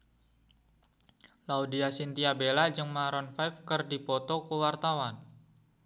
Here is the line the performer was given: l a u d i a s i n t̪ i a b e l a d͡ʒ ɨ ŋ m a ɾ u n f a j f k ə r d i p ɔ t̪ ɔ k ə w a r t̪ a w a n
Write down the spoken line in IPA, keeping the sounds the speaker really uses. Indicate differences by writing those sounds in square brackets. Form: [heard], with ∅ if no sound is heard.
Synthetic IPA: l a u d i a s i n t̪ i a b e l a d͡ʒ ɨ ŋ m a ɾ [ɔ] n f a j f k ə r d i p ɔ t̪ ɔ k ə w a r t̪ a w a n